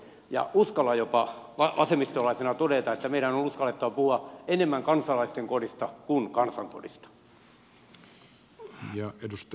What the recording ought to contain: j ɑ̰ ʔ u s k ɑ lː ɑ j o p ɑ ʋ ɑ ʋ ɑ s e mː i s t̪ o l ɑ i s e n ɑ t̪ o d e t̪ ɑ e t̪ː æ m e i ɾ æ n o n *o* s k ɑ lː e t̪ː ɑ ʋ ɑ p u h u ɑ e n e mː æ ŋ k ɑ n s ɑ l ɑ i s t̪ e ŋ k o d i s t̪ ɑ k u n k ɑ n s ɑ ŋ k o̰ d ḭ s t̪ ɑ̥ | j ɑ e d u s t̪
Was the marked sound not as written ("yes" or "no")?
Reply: yes